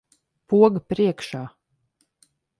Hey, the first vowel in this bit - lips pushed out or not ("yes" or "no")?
yes